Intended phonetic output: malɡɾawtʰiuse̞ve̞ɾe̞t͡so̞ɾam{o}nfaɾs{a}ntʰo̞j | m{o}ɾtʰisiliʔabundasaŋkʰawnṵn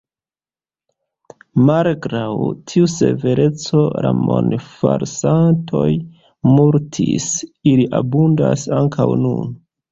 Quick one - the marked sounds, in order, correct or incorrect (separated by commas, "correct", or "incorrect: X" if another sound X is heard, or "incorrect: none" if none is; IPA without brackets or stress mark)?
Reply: correct, correct, incorrect: u